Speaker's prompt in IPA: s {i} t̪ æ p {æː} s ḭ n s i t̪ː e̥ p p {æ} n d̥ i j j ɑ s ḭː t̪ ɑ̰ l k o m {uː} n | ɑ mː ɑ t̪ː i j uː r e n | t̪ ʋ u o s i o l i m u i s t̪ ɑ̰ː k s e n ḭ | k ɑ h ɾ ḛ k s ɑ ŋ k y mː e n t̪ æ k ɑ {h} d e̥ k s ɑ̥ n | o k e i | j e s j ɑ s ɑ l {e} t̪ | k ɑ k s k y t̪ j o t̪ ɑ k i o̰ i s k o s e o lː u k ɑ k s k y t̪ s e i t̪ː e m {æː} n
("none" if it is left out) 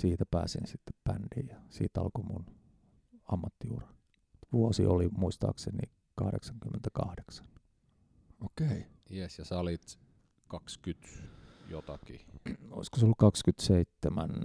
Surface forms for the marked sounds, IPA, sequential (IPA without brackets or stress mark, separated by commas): iː, æː, æ, u, h, i, æ